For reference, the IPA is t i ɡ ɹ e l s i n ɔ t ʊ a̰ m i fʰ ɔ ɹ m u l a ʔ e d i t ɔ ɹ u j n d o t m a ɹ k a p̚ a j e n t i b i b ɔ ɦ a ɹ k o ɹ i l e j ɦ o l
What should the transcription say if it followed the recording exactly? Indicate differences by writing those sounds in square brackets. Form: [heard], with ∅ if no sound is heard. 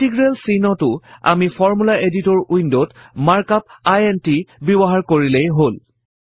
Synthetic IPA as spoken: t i ɡ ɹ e l s i n ɔ t ʊ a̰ m i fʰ ɔ ɹ m u l a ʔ e d i t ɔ ɹ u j n d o t m a ɹ k a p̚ a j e n t i b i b ɔ ɦ a ɹ k o ɹ i l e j ɦ o l